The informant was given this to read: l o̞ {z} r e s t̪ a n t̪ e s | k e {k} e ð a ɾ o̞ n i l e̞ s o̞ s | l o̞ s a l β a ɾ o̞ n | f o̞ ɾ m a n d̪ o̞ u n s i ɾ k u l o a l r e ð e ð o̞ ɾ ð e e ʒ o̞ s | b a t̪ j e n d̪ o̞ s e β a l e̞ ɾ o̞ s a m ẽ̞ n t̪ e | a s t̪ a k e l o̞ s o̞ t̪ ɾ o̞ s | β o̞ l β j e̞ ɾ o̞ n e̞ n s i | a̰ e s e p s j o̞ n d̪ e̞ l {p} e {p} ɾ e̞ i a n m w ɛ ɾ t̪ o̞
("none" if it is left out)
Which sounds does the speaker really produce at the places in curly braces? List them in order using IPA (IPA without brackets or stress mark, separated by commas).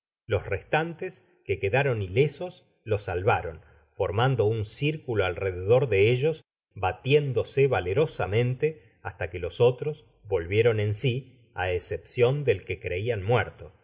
s, k, k, k